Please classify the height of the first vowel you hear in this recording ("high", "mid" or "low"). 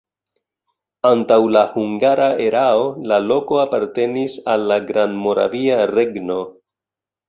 low